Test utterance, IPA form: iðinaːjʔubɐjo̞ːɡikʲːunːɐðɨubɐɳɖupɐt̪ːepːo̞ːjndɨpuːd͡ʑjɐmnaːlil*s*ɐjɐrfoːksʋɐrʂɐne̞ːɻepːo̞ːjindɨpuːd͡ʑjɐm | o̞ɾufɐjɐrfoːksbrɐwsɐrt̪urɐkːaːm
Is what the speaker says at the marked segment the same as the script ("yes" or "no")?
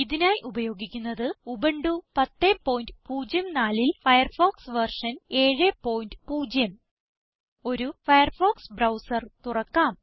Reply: no